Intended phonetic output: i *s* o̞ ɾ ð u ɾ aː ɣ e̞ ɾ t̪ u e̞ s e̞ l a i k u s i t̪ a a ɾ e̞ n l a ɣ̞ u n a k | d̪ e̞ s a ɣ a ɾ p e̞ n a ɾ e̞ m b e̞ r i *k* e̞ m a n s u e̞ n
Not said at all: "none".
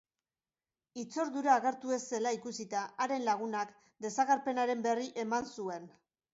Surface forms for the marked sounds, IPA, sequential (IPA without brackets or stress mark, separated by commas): t͡s, ʔ